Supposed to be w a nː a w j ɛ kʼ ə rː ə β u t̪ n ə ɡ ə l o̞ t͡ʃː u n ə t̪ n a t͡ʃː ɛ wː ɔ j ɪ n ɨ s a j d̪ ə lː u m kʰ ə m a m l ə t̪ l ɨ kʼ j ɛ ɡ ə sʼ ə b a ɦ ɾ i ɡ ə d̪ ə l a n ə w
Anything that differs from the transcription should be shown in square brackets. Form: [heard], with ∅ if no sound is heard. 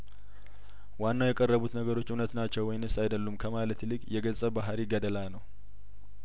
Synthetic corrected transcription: w a nː a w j ɛ kʼ ə rː ə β u t̪ n ə ɡ ə [ɾ] o̞ t͡ʃː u n ə t̪ n a t͡ʃː ɛ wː ɔ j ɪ n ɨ s a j d̪ ə lː u m kʰ ə m a [∅] l ə t̪ l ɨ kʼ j ɛ ɡ ə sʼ ə b a ɦ ɾ i ɡ ə d̪ ə l a n ə w